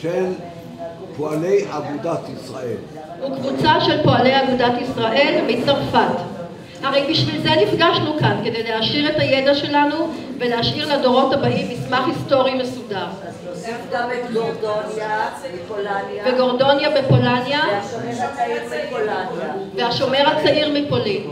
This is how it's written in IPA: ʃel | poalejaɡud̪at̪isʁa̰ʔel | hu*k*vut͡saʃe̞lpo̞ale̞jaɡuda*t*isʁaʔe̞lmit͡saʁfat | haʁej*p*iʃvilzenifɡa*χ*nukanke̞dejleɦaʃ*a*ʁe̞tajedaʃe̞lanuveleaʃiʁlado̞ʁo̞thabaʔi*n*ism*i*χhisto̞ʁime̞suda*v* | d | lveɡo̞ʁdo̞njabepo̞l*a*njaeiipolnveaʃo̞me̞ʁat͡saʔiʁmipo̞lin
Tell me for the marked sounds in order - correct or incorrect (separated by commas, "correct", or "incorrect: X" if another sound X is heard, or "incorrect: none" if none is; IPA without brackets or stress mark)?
correct, correct, incorrect: b, incorrect: ʃ, incorrect: i, incorrect: m, incorrect: a, incorrect: ʁ, correct